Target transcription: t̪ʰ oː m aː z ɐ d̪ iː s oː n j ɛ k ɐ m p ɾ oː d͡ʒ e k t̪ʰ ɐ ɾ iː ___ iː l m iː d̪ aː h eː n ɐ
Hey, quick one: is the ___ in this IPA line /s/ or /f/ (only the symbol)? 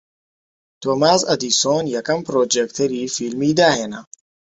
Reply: f